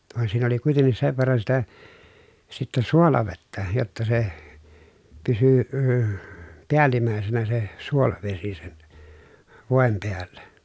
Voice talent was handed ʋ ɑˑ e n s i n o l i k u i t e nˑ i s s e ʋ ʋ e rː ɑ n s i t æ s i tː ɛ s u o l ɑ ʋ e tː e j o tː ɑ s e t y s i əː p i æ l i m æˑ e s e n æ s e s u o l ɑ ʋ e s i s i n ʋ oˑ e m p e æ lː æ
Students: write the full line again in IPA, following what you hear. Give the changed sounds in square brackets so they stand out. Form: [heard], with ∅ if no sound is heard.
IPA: ʋ ɑˑ e n s [iː] n o l i k u i t e nˑ i s s e ʋ ʋ e rː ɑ n s i t æ s i tː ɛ s u o l ɑ ʋ e tː [æ] j o tː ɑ s e [p] y s [y] əː p i æ l i m æˑ e s e n æ s e s u o l ɑ ʋ e s i s [e] n ʋ oˑ e m p e æ lː æ